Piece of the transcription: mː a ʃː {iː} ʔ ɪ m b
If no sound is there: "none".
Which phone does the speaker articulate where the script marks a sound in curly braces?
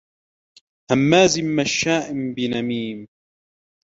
aː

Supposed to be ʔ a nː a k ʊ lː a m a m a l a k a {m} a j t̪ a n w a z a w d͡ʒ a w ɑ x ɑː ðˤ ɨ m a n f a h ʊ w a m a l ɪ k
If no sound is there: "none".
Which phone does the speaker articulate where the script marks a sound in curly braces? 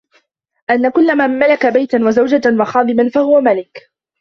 b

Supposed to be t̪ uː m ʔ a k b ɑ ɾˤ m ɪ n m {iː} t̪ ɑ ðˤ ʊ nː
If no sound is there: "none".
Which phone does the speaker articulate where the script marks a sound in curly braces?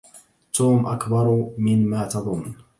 aː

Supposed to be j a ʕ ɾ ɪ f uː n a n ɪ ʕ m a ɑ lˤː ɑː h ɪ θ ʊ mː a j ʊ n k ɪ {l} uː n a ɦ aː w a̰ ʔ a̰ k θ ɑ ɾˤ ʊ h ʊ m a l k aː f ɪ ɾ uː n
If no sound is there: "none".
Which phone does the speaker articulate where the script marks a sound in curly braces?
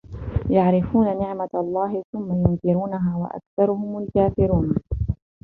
ɾ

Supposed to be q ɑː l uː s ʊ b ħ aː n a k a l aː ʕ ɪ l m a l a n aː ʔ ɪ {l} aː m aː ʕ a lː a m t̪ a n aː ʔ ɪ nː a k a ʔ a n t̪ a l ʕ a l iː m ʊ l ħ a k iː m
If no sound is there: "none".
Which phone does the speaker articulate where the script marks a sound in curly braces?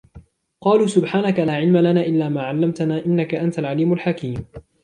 lː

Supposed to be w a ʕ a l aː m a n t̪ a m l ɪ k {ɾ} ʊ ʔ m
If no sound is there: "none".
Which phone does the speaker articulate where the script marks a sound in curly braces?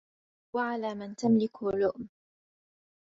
l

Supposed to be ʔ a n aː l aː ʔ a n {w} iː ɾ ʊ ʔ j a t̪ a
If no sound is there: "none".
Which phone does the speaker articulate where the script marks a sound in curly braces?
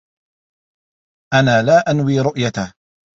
w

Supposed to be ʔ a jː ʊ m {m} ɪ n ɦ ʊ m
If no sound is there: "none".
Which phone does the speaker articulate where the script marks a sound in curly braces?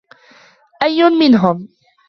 m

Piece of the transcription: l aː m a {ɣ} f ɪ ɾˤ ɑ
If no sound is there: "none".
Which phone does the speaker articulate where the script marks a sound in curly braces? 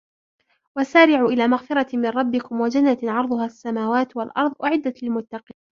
ɣ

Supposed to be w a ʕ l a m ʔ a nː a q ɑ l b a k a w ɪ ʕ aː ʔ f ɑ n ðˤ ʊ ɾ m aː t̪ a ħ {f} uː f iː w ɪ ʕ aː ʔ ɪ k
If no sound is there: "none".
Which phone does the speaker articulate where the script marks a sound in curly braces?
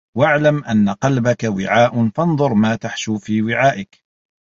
ʃ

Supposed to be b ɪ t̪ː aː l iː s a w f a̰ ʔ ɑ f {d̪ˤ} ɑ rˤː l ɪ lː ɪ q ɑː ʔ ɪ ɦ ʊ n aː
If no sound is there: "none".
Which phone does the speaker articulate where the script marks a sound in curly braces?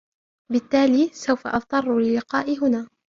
t̪ˤ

